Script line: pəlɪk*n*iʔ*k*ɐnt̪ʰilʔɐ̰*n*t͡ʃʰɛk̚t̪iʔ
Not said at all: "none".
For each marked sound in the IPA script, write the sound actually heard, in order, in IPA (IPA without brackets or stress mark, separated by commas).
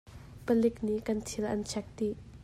n, k, n